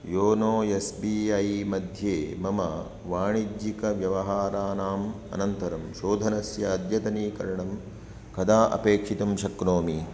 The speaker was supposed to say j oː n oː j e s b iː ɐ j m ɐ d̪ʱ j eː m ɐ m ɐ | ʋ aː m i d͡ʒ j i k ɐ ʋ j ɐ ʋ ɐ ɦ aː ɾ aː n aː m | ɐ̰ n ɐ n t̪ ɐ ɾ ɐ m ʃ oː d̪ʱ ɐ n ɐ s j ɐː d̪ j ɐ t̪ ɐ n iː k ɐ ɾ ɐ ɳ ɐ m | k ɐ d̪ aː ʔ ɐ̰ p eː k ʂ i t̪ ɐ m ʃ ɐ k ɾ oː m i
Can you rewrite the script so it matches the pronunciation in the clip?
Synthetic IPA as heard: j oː n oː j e s b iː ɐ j m ɐ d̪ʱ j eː m ɐ m ɐ | ʋ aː ɳ i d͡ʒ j i k ɐ ʋ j ɐ ʋ ɐ ɦ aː ɾ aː n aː m | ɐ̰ n ɐ n t̪ ɐ ɾ ɐ m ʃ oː d̪ʱ ɐ n ɐ s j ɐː d̪ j ɐ t̪ ɐ n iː k ɐ ɾ ɐ ɳ ɐ m | k ɐ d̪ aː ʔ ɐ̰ p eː k ʂ i t̪ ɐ m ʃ ɐ k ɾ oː m i